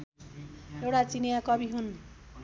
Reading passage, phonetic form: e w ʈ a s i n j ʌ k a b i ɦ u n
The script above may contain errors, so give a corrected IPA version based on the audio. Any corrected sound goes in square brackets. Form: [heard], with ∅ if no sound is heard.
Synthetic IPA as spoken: e w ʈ a [t͡s] i n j [a] k [ʌ] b i ɦ u n